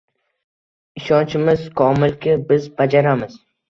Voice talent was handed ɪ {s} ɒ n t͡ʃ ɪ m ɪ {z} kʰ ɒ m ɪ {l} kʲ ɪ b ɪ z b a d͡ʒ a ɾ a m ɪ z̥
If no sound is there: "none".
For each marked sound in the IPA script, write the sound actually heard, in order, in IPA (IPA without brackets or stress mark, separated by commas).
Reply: ʃ, z, l